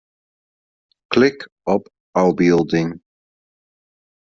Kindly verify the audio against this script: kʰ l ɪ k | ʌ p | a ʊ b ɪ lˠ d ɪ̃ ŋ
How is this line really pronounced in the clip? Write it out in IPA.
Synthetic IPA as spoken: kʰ l ɪ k | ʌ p | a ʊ b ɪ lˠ d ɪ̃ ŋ